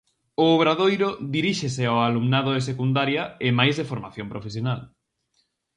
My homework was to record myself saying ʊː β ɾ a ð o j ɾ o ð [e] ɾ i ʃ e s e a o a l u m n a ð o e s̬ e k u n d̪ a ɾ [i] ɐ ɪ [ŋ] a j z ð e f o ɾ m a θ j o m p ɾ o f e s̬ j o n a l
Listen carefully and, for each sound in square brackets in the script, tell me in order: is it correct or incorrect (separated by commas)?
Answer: incorrect, incorrect, incorrect